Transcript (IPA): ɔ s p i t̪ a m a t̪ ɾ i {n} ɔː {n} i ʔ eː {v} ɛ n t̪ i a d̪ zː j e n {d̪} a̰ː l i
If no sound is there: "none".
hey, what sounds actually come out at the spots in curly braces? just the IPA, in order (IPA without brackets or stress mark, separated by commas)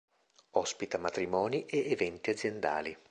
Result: m, n, v, d̪